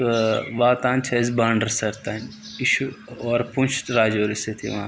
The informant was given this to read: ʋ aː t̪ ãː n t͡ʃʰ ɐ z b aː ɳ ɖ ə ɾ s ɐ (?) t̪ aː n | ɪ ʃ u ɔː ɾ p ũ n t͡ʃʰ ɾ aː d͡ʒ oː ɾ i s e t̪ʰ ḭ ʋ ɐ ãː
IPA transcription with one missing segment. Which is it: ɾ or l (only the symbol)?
ɾ